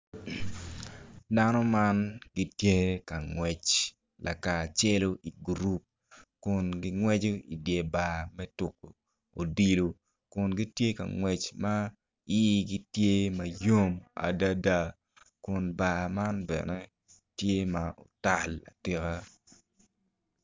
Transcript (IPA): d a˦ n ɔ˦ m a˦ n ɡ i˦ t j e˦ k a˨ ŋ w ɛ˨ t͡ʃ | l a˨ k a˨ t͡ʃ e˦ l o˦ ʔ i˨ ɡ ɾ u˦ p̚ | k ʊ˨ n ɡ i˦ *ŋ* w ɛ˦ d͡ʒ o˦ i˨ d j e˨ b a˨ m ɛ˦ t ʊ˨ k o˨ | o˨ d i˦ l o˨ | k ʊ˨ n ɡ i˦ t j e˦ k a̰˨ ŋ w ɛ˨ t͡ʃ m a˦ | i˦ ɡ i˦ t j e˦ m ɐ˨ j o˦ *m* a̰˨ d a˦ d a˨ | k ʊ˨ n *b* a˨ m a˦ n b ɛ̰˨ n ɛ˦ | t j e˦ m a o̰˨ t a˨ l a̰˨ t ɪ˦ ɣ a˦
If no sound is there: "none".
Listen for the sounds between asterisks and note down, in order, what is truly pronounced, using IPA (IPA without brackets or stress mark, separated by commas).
ŋ, m, b